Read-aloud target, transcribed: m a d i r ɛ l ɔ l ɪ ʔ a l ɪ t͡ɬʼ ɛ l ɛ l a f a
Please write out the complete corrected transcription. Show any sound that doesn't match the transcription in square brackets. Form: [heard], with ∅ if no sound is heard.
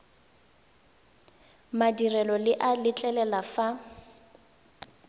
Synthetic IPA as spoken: m a d i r ɛ l ɔ l ɪ ʔ a l ɪ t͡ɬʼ ɛ l ɛ l a f a